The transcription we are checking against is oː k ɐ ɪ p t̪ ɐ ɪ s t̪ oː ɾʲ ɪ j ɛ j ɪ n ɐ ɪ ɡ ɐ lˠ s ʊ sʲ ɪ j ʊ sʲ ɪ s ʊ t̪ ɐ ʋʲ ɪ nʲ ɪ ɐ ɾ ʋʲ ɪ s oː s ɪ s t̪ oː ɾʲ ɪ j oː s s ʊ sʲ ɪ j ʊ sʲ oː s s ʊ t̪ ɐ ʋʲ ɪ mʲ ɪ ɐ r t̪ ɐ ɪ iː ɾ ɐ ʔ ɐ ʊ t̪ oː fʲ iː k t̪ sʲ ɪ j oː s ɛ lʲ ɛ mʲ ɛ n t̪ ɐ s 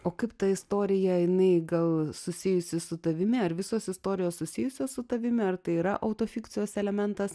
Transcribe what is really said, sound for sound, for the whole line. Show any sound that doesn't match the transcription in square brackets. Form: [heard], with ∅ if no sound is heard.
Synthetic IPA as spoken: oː k ɐ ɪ p t̪ ɐ ɪ s t̪ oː ɾʲ ɪ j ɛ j ɪ n ɐ ɪ ɡ ɐ lˠ s ʊ sʲ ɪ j ʊ sʲ ɪ s ʊ t̪ ɐ ʋʲ ɪ [mʲ] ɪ ɐ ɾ ʋʲ ɪ s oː s ɪ s t̪ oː ɾʲ ɪ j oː s s ʊ sʲ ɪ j ʊ sʲ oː s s ʊ t̪ ɐ ʋʲ ɪ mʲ ɪ ɐ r t̪ ɐ ɪ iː ɾ ɐ ʔ ɐ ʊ t̪ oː fʲ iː k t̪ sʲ ɪ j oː s ɛ lʲ ɛ mʲ ɛ n t̪ ɐ s